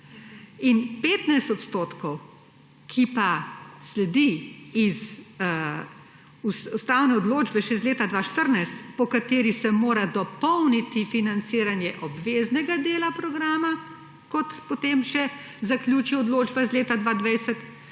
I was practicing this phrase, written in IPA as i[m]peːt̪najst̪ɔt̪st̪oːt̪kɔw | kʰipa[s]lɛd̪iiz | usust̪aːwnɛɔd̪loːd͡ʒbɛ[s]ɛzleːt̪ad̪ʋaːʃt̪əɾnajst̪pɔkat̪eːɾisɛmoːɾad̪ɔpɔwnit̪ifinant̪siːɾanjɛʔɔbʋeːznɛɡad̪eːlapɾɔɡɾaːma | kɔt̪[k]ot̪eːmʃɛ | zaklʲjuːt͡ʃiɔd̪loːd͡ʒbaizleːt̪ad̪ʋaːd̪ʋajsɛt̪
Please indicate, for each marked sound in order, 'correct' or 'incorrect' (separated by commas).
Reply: incorrect, correct, incorrect, incorrect